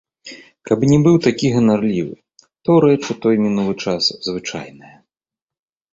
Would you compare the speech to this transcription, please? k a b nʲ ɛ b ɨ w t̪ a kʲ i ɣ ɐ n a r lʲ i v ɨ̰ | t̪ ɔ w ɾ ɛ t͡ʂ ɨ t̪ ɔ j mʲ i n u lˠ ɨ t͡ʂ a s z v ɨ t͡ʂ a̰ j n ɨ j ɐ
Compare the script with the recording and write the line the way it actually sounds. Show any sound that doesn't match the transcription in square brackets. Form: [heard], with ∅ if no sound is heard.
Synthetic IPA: k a b nʲ ɛ b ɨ w t̪ a kʲ i ɣ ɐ n a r lʲ i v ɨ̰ | t̪ ɔ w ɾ ɛ t͡ʂ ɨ t̪ ɔ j mʲ i n u lˠ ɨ t͡ʂ a s z v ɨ t͡ʂ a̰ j n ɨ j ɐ